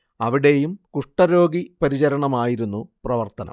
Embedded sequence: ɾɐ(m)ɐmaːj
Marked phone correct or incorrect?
incorrect